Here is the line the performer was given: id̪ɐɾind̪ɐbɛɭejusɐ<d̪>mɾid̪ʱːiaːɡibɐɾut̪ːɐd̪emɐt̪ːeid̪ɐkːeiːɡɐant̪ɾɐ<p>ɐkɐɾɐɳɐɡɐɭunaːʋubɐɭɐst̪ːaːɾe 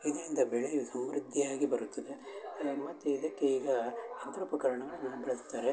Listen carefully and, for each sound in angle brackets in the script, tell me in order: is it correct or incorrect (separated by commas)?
incorrect, correct